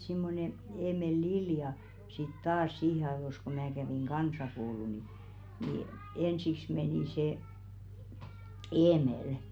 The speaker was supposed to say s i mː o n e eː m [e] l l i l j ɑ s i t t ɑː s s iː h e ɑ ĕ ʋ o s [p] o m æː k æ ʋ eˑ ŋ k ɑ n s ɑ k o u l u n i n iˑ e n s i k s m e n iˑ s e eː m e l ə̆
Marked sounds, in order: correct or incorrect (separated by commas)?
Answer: correct, incorrect